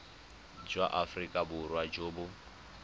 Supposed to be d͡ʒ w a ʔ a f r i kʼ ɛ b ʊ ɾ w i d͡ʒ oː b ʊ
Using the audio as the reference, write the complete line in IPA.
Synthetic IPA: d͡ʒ w a ʔ a f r i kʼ a b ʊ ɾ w a d͡ʒ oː b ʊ